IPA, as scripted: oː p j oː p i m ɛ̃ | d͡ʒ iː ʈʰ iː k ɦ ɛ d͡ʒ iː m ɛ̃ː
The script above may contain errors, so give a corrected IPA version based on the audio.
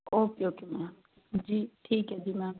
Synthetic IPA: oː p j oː k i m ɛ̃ | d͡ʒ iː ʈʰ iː k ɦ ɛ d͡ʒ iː m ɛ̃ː

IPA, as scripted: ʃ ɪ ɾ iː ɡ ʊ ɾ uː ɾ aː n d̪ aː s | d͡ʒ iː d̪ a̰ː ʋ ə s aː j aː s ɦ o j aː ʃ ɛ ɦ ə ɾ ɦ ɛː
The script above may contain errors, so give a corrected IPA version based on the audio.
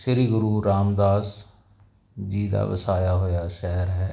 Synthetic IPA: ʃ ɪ ɾ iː ɡ ʊ ɾ uː ɾ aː m d̪ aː s | d͡ʒ iː d̪ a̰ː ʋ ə s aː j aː ɦ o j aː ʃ ɛ ɦ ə ɾ ɦ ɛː

